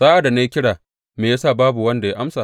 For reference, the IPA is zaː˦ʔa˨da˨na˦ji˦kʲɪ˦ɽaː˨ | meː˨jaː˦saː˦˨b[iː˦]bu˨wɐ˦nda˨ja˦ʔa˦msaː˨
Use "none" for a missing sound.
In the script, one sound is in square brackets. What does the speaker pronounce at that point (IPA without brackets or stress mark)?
aː˦